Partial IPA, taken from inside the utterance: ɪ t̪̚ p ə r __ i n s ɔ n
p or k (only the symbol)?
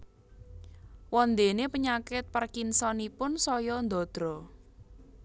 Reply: k